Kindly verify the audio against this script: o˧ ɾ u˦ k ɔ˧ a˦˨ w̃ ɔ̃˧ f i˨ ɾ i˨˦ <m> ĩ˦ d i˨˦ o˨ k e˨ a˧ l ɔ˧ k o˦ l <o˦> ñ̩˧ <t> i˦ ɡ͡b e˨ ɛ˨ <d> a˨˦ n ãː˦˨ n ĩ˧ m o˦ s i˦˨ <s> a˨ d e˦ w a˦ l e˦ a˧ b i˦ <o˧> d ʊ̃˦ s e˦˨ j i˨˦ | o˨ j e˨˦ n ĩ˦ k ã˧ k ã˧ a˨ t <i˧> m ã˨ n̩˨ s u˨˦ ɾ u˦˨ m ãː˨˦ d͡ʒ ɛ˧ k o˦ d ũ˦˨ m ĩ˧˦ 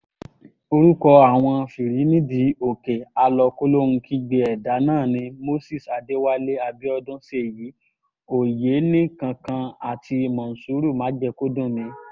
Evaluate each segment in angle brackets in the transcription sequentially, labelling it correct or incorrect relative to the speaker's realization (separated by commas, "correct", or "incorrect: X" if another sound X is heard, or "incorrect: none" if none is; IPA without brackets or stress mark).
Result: incorrect: n, correct, incorrect: k, correct, correct, incorrect: ɔ˧, correct